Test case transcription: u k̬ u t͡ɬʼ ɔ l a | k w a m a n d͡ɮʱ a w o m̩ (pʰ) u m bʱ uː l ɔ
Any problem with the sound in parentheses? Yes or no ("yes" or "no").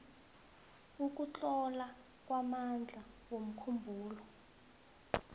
yes